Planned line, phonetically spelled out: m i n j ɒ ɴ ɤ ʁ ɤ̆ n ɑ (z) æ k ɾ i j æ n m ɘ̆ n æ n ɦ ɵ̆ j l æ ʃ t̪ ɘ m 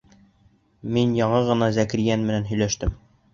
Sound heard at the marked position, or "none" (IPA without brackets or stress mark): z